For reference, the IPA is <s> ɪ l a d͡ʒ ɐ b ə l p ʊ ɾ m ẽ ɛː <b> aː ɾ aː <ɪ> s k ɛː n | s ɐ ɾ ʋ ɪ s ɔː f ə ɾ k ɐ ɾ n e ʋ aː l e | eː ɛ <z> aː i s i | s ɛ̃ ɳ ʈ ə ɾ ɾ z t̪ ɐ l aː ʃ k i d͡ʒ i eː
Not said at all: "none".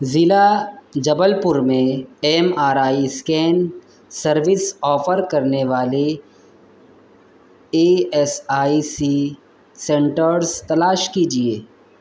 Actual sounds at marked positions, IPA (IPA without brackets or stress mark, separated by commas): z, m, i, s